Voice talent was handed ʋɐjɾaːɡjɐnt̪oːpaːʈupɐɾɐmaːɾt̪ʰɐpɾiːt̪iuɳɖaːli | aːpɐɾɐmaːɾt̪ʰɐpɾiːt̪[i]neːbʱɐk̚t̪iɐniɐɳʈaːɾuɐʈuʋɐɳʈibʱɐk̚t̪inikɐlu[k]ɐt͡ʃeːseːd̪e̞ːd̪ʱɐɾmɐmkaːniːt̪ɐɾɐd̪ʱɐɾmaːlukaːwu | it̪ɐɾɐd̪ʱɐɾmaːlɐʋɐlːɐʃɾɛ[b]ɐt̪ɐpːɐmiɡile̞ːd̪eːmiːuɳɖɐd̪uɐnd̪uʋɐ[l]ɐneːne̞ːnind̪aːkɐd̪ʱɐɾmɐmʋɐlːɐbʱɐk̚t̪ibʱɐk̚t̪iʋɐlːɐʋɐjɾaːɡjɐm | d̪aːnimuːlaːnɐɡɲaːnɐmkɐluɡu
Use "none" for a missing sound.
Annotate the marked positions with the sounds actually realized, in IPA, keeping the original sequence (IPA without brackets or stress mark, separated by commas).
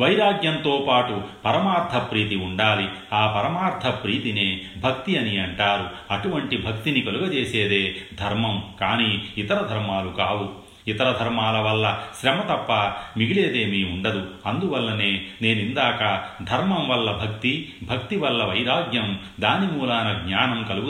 i, ɡ, m, lː